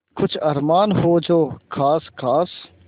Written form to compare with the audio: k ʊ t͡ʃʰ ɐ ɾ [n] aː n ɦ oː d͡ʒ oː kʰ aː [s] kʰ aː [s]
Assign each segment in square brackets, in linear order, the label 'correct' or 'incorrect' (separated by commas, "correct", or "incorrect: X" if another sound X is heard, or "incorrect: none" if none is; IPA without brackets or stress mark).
incorrect: m, correct, correct